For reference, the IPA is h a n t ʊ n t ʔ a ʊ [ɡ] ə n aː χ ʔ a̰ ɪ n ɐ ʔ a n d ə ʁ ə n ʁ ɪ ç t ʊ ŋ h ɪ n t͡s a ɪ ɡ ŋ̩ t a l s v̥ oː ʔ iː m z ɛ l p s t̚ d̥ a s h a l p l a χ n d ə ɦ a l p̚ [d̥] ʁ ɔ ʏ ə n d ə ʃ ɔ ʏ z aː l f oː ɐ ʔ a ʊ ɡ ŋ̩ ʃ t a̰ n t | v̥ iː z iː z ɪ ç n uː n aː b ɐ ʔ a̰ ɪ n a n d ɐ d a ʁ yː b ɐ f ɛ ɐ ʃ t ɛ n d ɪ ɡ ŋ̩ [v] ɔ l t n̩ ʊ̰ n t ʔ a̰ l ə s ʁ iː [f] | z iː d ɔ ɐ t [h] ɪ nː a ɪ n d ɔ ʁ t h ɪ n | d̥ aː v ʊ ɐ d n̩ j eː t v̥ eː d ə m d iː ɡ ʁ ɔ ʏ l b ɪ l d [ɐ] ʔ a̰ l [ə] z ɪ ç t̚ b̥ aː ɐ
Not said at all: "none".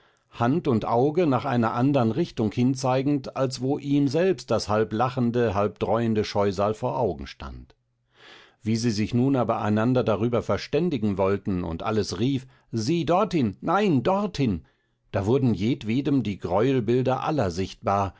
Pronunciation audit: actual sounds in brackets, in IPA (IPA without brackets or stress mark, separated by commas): ɡ, d̥, v, f, h, ɐ, ɐ